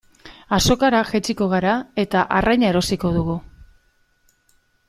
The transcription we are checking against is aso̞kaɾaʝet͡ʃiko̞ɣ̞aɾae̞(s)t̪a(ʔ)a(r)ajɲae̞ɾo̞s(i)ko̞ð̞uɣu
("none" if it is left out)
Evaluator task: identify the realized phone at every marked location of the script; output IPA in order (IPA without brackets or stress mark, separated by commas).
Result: none, ʔ, r, i